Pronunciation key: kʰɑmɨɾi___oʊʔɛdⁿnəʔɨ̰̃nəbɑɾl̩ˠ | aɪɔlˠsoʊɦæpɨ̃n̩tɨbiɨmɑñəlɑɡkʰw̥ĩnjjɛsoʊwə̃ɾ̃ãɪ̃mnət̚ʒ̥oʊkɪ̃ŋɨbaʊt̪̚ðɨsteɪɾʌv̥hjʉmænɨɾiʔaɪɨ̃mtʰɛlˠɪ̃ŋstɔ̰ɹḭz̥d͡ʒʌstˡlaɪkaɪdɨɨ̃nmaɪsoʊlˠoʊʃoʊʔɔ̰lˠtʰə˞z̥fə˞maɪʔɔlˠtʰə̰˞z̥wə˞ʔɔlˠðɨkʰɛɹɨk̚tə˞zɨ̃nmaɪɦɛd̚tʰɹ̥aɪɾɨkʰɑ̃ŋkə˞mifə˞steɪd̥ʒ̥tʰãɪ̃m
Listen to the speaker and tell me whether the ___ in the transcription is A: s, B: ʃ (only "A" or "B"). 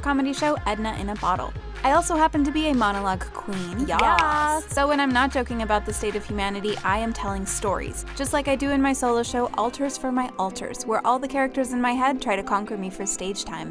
B